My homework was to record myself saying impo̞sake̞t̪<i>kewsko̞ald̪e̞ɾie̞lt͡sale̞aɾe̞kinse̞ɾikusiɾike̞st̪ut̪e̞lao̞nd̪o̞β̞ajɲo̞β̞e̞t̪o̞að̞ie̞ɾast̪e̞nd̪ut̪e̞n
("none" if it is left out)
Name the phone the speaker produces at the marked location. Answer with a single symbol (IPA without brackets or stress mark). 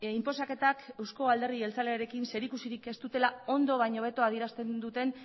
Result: a